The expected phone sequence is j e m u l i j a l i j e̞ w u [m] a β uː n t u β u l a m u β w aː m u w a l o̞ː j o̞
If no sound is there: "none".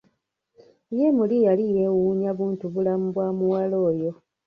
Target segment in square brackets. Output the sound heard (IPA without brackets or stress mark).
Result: ɲ